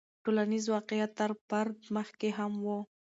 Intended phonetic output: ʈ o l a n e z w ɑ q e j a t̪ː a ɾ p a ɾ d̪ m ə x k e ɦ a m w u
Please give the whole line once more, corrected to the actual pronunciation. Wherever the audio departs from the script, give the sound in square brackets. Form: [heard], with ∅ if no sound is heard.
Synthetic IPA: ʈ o l a n [i] z w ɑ q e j a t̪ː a ɾ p a ɾ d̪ m ə x k e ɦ a m w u